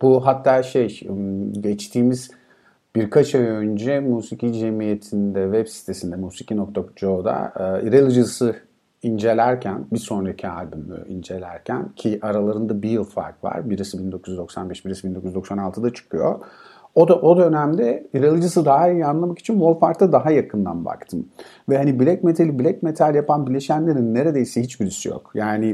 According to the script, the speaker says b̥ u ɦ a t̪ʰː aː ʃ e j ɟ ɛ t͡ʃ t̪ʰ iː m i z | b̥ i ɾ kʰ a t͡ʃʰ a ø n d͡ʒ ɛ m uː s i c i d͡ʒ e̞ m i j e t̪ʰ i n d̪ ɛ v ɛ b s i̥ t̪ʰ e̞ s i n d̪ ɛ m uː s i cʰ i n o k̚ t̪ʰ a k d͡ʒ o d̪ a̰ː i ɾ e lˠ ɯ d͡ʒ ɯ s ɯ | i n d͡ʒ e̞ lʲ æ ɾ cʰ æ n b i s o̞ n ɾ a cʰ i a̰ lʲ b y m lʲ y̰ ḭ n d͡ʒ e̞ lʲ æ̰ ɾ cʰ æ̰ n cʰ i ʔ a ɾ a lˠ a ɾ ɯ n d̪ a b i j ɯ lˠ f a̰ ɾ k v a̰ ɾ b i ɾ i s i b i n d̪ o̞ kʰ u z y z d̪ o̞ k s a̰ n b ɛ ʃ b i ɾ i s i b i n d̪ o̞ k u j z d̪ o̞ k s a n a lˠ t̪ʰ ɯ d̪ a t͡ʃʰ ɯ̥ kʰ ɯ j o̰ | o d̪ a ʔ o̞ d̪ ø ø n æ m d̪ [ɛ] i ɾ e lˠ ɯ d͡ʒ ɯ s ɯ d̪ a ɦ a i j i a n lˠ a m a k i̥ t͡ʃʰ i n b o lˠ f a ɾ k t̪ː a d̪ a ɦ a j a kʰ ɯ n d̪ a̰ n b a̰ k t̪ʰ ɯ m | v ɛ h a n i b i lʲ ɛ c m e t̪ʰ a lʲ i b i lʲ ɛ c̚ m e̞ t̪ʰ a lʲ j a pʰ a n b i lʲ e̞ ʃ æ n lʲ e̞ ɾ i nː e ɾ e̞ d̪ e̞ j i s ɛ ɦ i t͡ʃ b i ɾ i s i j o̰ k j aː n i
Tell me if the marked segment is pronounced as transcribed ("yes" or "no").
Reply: yes